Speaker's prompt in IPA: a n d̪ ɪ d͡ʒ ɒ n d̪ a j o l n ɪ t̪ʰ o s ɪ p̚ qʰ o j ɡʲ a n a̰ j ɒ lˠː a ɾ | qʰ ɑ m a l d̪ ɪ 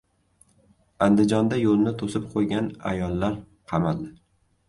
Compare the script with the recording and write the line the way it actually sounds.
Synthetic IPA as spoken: a n d̪ ɪ d͡ʒ ɒ n d̪ a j o l n ɪ t̪ʰ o s ɪ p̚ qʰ o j ɡʲ a n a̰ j ɒ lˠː a ɾ | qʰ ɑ m a l d̪ ɪ